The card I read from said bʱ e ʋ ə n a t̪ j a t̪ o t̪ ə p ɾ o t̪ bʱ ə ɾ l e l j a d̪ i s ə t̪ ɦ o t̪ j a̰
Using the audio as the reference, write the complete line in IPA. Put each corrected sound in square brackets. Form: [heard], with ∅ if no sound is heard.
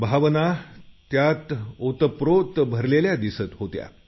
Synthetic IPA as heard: bʱ [a] ʋ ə n a t̪ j a t̪ o t̪ ə p ɾ o t̪ bʱ ə ɾ l e l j a d̪ i s ə t̪ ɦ o t̪ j a̰